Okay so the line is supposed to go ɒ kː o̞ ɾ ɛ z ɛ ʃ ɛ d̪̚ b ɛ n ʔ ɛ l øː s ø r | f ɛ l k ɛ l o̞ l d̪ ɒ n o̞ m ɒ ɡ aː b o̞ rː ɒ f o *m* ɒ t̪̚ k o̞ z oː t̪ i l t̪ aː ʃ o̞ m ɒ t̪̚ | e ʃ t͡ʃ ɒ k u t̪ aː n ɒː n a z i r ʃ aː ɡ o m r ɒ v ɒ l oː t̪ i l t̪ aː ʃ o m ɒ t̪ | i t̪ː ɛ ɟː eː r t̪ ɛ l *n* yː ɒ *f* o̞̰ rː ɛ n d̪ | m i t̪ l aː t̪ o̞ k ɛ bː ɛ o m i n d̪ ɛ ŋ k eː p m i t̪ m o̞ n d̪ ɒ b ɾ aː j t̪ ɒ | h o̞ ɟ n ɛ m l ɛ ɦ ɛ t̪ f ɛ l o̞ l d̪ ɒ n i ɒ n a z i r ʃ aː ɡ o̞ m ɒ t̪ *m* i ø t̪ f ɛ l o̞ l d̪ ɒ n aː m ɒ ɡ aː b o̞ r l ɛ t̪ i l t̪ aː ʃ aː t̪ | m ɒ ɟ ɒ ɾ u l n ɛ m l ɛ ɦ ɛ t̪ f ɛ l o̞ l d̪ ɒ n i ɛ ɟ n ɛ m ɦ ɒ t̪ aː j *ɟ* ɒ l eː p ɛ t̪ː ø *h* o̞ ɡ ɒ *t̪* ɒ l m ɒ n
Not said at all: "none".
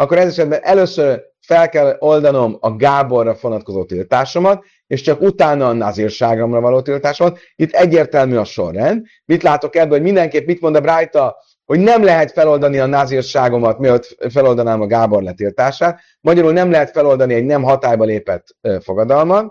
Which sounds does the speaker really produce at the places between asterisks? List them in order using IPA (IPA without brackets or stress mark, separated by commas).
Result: n, m, ʃ, m, b, f, d̪